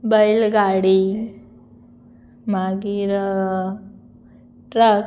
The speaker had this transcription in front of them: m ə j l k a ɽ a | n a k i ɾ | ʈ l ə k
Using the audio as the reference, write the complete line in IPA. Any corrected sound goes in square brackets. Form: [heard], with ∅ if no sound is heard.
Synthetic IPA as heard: [b] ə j l [ɡ] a ɽ [i] | [m] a [ɡ] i ɾ | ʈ [ɾ] ə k